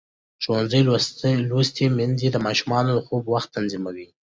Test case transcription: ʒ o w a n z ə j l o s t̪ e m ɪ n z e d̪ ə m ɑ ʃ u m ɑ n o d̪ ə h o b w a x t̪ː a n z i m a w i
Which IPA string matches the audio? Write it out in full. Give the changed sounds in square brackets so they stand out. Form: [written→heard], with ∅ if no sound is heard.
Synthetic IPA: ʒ o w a n z ə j l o s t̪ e m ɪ n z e d̪ ə m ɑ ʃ u m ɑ n o d̪ ə [h→x] o b w a x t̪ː a n z i m a w i